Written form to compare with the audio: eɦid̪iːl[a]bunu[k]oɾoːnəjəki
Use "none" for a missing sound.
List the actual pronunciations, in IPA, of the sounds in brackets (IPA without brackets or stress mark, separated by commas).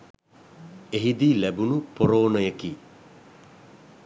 æ, p